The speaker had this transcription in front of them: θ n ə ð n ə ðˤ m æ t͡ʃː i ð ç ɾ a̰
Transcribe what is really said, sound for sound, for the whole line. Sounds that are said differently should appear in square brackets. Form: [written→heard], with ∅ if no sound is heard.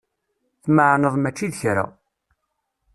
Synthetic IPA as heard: θ [n→m] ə [ð→ʕ] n ə ðˤ m æ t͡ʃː i ð ç ɾ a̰